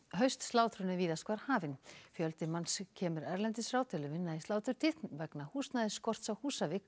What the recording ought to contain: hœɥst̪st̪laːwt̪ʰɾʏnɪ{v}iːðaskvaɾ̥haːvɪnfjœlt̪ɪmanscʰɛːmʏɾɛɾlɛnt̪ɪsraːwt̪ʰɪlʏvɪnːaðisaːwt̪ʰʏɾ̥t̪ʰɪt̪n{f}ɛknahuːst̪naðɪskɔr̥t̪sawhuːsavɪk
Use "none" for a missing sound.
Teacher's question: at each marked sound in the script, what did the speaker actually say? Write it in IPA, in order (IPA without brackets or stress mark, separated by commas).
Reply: v, v